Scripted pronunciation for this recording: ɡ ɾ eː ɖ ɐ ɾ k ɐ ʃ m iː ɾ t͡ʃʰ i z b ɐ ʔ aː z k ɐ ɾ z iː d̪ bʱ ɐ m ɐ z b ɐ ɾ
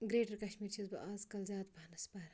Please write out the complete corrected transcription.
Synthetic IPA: ɡ ɾ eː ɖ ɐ ɾ k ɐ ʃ m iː ɾ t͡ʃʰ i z b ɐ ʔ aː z k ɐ l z aː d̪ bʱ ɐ n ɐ s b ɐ ɾ